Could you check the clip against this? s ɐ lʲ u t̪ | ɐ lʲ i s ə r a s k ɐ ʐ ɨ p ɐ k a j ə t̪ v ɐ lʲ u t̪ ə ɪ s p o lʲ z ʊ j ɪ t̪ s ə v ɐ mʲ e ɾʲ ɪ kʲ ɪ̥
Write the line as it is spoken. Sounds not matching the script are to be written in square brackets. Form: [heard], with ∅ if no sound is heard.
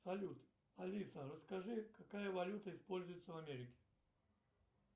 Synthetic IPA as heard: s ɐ lʲ u t̪ | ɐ lʲ i s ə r [ə] s k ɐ ʐ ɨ [k] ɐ k a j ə [∅] v ɐ lʲ u t̪ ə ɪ s p o lʲ z ʊ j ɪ t̪ s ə v ɐ mʲ e ɾʲ ɪ kʲ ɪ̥